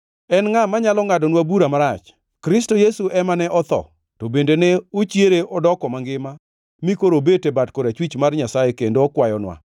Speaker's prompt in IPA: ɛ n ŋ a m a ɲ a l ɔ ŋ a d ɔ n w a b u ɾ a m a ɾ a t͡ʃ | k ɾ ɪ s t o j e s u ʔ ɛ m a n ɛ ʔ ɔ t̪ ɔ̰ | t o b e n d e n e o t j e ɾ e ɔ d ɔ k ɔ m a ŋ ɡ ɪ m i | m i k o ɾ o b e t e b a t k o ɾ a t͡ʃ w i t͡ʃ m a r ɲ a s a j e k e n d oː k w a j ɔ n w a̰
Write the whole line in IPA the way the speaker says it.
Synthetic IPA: ɛ n ŋ a m a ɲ a l ɔ ŋ a d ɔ n w a b u ɾ a m a ɾ a t͡ʃ | k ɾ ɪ s t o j e s u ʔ ɛ m a n ɛ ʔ ɔ t̪ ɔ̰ | t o b e n d e n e o t͡ʃ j e ɾ e ɔ d ɔ k ɔ m a ŋ ɡ ɪ m a | m i k o ɾ o b e t e b a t k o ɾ a t͡ʃ w i t͡ʃ m a r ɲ a s a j e k e n d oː k w a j ɔ n w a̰